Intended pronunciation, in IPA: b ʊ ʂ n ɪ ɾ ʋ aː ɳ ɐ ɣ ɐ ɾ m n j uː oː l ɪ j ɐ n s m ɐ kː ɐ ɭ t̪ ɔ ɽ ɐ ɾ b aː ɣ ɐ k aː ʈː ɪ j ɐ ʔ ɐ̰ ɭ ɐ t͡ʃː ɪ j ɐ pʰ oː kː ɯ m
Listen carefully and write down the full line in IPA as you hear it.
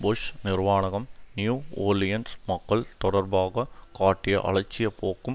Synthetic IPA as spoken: b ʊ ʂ n ɪ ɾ ʋ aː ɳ ɐ ɣ ɐ m n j uː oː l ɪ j ɐ n s m ɐ kː ɐ ɭ t̪ ɔ ɽ ɐ ɾ b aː ɣ ɐ k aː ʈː ɪ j ɐ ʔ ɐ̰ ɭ ɐ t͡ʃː ɪ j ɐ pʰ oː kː ɯ m